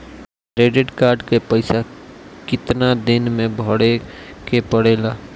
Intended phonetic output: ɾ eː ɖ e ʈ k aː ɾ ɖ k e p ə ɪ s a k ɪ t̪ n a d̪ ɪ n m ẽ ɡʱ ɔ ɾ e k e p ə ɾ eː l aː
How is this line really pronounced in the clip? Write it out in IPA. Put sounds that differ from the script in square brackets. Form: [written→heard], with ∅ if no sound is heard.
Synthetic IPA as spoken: ɾ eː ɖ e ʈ k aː ɾ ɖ k e p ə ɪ s a k ɪ t̪ n a d̪ ɪ n m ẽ [ɡʱ→bʱ] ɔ [ɾ→ɽ] e k e p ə [ɾ→ɽ] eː l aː

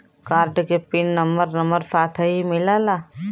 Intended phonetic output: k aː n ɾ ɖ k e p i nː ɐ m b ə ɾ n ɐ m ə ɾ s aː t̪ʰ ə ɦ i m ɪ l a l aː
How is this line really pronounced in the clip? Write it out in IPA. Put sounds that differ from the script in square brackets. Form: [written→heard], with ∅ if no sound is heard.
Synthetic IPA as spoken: k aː [n→∅] ɾ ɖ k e p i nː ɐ m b ə ɾ n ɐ m ə ɾ s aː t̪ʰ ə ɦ i m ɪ l a l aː

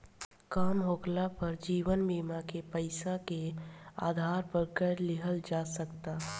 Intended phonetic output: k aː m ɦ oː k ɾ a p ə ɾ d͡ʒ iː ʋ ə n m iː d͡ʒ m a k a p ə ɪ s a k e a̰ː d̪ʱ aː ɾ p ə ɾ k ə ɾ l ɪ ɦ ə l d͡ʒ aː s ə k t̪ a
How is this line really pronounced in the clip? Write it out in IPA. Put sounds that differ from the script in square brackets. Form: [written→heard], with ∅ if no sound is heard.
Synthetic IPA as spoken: k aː m ɦ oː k [ɾ→l] a p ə ɾ d͡ʒ iː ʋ ə n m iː [d͡ʒ→∅] m a k [a→e] p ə ɪ s a k e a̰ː d̪ʱ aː ɾ p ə ɾ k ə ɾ l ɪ ɦ ə l d͡ʒ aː s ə k t̪ a

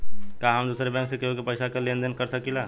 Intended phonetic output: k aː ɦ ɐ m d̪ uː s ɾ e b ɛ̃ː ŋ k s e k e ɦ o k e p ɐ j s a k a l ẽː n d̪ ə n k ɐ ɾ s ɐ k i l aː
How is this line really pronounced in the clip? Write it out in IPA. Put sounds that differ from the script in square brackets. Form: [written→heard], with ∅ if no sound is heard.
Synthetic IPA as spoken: k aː ɦ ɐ m d̪ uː s ɾ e b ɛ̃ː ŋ k s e k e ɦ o k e p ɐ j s a k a l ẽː n d̪ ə n k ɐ ɾ s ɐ k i l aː

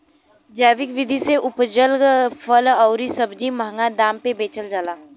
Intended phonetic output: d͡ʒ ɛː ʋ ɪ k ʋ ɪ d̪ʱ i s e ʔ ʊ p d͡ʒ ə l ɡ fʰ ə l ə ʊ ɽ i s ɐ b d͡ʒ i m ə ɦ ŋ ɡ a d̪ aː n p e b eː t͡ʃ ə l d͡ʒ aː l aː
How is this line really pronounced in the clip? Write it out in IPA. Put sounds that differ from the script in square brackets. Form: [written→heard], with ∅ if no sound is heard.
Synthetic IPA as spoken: d͡ʒ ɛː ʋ ɪ k ʋ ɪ d̪ʱ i s e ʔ ʊ p d͡ʒ ə l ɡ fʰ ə l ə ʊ [ɽ→ɾ] i s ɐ b d͡ʒ i m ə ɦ ŋ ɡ a d̪ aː [n→m] p e b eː t͡ʃ ə l d͡ʒ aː l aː

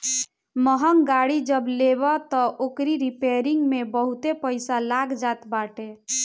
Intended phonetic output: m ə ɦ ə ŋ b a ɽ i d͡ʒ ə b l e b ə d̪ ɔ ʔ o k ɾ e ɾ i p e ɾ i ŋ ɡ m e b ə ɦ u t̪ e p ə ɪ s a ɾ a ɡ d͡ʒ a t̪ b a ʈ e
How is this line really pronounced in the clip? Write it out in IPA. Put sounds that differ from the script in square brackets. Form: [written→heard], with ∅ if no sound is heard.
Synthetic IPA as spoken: m ə ɦ ə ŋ [b→ɡ] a ɽ i d͡ʒ ə b l e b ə [d̪→t̪] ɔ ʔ o k ɾ [e→i] ɾ i p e ɾ i ŋ ɡ m e b ə ɦ u t̪ e p ə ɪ s a [ɾ→l] a ɡ d͡ʒ a t̪ b a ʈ e

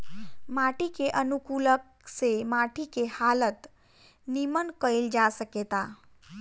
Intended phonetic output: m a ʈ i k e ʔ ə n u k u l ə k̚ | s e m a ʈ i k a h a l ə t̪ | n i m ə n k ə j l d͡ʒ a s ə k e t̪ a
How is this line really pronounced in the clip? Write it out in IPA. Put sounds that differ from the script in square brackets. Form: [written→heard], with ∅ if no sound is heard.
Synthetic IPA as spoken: m a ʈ i k e ʔ ə n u k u l ə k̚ | s e m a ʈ i k [a→e] h a l ə t̪ | n i m ə n k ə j l d͡ʒ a s ə k e t̪ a

